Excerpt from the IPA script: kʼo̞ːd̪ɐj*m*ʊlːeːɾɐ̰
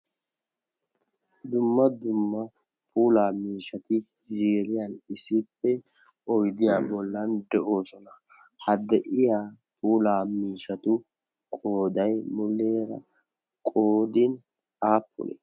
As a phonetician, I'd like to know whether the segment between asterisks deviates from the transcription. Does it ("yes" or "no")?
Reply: no